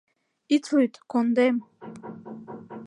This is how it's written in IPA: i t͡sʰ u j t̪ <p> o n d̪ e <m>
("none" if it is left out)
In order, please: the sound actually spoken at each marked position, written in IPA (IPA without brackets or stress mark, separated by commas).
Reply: k, m